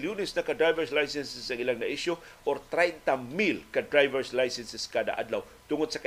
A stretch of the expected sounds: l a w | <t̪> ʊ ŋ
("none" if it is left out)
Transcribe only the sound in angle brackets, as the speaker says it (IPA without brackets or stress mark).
t̪